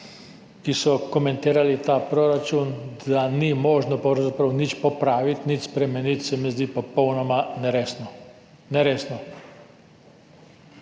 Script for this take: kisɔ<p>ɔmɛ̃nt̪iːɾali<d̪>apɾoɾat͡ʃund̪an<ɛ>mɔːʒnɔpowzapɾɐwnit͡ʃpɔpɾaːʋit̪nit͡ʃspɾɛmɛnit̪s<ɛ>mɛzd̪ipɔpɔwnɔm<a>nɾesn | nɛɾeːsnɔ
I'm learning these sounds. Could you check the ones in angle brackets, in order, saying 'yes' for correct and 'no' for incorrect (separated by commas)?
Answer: no, no, no, yes, yes